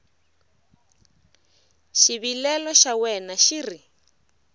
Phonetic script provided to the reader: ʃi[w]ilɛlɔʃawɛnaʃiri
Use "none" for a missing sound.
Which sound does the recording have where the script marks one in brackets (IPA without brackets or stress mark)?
β